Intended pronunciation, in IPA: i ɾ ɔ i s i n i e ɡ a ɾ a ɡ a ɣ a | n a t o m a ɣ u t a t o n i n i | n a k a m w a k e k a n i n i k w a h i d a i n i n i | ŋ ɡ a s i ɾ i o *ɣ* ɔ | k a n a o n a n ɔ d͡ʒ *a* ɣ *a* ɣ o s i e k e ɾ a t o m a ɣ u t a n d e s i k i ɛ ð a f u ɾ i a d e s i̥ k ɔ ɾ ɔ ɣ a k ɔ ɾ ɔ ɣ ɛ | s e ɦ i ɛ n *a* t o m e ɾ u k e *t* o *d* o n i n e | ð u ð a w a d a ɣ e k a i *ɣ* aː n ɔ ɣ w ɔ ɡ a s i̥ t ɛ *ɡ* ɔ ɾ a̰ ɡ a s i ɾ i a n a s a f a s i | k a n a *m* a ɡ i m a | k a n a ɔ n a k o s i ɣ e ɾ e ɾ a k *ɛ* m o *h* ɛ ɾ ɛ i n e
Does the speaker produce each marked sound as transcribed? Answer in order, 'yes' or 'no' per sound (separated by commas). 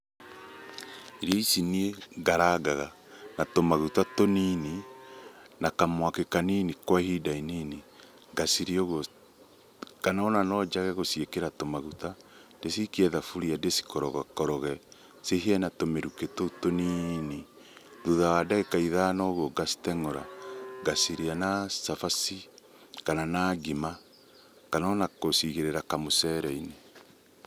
yes, yes, no, yes, yes, no, no, no, no, no, no